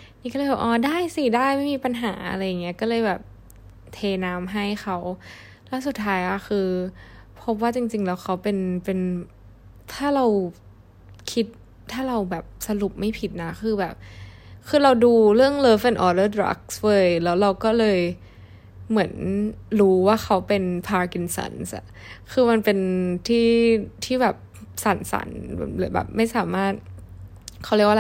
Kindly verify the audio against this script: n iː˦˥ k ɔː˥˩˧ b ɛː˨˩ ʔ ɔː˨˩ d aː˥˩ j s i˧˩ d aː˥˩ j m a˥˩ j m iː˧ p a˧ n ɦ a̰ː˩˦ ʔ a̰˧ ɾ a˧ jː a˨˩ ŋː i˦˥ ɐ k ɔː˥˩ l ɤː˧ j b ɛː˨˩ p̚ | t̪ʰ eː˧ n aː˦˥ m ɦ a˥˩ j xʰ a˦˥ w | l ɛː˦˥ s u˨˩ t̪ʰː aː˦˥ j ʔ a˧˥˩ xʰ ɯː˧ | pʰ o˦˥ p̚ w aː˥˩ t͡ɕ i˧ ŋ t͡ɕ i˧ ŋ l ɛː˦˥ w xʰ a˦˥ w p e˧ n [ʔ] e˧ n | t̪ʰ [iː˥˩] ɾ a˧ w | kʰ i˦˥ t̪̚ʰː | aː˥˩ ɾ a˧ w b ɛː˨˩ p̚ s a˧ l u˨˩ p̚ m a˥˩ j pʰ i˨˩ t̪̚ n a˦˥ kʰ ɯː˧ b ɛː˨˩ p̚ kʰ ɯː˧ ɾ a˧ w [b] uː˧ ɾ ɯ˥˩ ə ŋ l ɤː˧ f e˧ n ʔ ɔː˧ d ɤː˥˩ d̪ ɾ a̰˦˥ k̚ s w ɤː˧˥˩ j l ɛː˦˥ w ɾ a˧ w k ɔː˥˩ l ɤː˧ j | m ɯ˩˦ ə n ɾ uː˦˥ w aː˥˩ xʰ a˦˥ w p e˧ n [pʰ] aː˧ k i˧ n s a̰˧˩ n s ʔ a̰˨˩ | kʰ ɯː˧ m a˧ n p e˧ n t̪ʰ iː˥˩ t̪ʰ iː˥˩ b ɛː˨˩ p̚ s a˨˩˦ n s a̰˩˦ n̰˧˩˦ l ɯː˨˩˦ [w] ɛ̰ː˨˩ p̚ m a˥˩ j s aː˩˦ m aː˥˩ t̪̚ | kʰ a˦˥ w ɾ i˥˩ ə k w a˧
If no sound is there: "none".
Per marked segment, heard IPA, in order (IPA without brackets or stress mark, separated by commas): p, aː˥˩, d, pʰ, b